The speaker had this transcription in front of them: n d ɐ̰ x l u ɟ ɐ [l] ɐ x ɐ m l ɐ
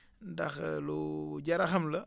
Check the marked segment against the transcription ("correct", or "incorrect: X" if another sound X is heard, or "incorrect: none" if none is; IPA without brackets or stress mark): incorrect: ɾ